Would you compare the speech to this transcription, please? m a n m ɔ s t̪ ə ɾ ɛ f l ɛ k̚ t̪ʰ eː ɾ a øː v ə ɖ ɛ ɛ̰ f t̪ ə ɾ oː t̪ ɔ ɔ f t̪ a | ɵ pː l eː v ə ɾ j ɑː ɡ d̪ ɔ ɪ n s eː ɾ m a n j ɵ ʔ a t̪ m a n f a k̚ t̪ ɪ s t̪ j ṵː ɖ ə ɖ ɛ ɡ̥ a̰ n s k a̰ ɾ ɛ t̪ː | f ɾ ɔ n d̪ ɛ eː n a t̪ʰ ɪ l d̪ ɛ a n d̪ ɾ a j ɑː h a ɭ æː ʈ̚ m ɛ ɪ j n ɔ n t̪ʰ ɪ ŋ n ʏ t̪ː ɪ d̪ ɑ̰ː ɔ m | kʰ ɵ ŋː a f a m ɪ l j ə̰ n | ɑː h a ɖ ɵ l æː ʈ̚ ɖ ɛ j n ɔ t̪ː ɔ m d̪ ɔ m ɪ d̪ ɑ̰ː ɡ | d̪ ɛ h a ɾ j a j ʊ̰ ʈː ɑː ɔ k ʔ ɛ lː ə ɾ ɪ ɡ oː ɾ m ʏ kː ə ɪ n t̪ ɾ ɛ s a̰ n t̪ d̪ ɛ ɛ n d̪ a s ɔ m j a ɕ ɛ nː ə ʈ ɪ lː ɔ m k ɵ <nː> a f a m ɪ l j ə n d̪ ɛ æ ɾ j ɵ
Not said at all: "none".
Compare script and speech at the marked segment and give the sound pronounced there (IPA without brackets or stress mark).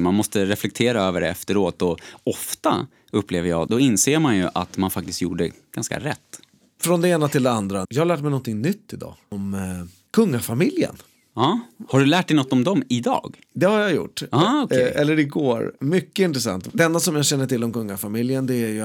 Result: ŋː